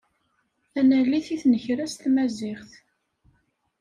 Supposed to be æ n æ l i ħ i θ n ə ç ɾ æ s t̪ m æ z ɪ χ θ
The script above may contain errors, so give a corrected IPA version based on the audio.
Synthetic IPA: æ n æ l i θ i θ n ə ç ɾ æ s t̪ m æ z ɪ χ θ